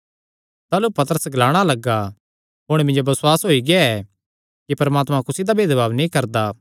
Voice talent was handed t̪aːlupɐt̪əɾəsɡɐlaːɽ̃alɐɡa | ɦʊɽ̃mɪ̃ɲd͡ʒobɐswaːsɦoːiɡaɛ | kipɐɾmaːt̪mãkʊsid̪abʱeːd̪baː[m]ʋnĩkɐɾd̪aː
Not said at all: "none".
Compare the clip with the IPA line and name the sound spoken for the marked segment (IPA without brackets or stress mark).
none